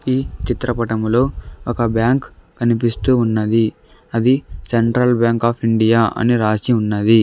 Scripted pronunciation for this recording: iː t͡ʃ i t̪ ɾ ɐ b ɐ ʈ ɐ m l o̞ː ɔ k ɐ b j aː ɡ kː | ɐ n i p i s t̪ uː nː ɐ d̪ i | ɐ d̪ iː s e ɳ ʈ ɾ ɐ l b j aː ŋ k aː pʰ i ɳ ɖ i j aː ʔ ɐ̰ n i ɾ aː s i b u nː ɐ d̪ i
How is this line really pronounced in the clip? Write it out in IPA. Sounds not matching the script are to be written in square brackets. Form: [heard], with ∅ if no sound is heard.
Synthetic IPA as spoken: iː t͡ʃ i t̪ ɾ ɐ [p] ɐ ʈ ɐ m l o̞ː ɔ k ɐ b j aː [ŋ] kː | ɐ n i p i s t̪ uː nː ɐ d̪ i | ɐ d̪ [i] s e ɳ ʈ ɾ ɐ l b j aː ŋ k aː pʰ i ɳ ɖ i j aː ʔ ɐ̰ n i ɾ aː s i [∅] u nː ɐ d̪ i